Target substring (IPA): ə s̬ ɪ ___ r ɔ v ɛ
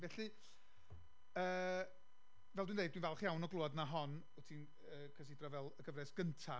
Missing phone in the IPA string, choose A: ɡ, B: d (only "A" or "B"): B